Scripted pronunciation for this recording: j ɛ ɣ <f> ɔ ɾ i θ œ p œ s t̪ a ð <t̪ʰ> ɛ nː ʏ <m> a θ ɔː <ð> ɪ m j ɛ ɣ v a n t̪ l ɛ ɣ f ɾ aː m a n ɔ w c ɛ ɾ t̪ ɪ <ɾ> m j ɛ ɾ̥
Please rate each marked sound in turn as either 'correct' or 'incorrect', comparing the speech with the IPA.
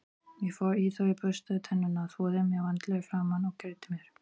correct, correct, incorrect: n, correct, incorrect: none

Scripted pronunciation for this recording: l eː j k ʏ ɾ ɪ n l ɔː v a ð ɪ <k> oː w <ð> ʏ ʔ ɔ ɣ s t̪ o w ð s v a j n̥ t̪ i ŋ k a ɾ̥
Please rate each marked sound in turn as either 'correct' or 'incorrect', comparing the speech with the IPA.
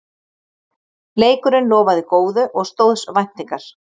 correct, correct

